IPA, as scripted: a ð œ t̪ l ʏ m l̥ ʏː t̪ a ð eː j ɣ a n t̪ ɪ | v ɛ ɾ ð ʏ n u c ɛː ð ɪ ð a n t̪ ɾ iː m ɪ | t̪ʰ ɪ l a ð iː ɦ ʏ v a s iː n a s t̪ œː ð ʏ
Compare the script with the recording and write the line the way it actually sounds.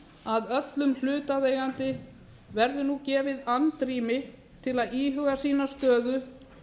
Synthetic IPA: a ð œ t̪ l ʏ m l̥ ʏː t̪ a ð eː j ɣ a n t̪ ɪ | v ɛ ɾ ð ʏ n u c ɛː v ɪ ð a n t̪ ɾ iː m ɪ | t̪ʰ ɪ l a ð iː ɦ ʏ ɣ a s iː n a s t̪ œː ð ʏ